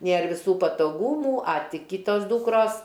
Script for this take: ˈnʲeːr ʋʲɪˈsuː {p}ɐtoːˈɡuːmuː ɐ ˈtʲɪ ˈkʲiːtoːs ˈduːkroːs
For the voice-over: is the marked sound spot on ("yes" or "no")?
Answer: yes